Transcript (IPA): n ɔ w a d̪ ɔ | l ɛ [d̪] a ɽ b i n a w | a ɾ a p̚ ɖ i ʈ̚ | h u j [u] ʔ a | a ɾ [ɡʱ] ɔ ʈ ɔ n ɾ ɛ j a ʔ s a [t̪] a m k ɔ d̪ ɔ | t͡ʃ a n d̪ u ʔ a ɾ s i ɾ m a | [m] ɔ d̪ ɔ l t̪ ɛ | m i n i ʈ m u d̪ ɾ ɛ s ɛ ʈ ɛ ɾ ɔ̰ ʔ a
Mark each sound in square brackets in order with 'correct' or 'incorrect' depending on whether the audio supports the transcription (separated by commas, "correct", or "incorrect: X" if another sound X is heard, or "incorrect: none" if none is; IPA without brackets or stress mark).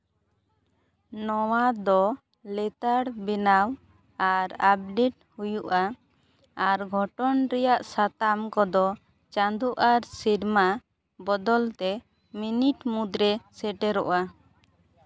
incorrect: t̪, correct, correct, correct, incorrect: b